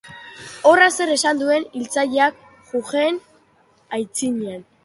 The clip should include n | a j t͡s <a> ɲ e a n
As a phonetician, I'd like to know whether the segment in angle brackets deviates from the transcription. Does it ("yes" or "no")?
yes